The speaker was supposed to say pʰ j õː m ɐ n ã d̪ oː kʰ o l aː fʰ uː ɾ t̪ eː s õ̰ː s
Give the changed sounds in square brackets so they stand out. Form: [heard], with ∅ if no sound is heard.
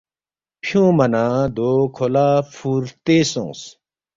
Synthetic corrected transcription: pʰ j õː m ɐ n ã d̪ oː kʰ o l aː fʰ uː ɾ t̪ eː s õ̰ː s